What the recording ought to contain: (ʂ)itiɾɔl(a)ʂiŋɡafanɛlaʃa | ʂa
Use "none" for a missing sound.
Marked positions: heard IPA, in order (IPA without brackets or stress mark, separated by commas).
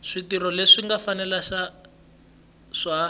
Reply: ʂ, e